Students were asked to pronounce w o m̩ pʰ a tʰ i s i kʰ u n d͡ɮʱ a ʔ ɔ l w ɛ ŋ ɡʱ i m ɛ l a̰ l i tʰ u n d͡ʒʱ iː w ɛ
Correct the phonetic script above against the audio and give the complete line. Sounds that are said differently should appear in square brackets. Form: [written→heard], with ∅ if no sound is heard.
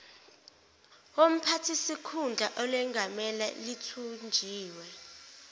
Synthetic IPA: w o m̩ pʰ a tʰ i s i kʰ u n d͡ɮʱ a ʔ ɔ l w ɛ ŋ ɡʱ [i→a] m ɛ l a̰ l i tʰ u n d͡ʒʱ iː w ɛ